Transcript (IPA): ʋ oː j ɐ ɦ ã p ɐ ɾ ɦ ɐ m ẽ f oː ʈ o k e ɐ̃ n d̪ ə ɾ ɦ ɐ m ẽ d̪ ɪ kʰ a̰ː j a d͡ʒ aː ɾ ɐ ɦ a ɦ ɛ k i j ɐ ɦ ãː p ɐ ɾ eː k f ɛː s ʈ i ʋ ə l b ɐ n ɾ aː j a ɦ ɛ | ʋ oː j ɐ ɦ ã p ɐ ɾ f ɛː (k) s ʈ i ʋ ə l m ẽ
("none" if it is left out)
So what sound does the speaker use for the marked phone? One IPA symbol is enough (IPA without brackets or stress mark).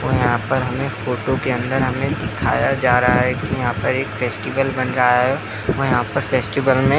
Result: none